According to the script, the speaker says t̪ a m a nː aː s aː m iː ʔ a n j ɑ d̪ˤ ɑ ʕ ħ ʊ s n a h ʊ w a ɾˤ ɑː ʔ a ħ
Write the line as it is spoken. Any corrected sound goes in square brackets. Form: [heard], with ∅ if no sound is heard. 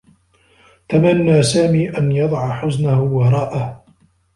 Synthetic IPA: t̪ a m a nː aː s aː m iː ʔ a n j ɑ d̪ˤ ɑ ʕ ħ ʊ [z] n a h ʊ w [ɑ] ɾˤ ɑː ʔ a [h]